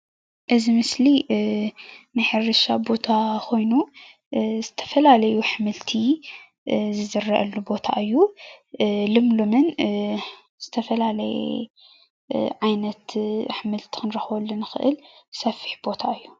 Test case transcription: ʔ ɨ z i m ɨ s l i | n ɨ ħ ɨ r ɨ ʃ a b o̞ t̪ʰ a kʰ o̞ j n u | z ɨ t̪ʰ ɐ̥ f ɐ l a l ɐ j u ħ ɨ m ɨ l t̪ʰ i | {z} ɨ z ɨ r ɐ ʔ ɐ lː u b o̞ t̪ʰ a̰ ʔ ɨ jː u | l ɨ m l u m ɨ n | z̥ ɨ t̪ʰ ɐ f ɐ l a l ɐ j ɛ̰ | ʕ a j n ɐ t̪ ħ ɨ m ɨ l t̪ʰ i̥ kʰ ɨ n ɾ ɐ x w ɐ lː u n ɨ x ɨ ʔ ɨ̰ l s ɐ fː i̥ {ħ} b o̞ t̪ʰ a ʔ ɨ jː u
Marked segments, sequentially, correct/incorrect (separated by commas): correct, correct